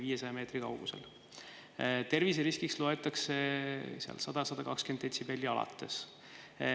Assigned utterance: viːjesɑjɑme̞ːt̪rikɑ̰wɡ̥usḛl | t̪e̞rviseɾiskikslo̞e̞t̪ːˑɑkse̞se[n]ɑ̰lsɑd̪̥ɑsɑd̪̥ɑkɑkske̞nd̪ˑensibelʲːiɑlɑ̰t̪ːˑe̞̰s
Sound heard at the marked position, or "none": none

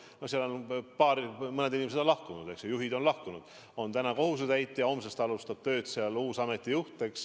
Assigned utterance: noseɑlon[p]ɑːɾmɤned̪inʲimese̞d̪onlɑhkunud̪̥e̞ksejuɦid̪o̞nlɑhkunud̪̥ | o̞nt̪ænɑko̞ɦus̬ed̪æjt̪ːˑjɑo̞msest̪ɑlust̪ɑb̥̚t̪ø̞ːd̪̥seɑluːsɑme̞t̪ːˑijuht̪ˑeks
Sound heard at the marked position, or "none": p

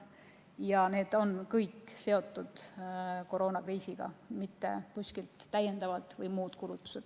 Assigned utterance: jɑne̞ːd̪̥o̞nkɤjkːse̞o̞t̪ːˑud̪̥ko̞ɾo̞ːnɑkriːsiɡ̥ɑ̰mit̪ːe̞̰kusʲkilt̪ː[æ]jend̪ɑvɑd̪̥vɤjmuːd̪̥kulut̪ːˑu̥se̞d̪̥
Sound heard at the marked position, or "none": æ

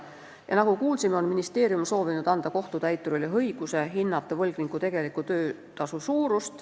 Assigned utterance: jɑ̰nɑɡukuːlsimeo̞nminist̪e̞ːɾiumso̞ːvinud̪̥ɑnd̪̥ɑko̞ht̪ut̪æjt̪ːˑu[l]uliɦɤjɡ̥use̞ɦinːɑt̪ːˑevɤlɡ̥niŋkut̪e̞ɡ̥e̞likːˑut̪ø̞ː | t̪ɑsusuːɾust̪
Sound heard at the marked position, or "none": ɾ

